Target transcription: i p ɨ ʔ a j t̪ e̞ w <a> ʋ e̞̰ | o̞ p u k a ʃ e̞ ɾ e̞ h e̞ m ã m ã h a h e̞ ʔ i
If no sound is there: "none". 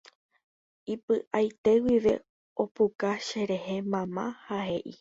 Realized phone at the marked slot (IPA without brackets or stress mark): i